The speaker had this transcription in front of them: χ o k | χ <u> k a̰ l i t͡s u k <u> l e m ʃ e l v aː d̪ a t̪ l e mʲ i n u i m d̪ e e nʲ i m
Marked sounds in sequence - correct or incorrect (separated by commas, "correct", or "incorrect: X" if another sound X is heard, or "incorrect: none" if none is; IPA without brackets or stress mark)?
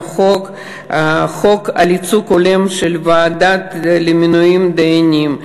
incorrect: o, incorrect: o